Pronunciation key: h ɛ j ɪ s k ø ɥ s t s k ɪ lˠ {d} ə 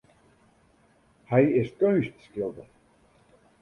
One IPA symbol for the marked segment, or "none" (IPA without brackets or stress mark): d